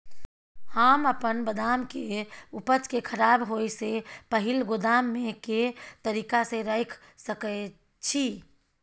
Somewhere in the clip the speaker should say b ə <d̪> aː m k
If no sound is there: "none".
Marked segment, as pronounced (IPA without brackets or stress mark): d̪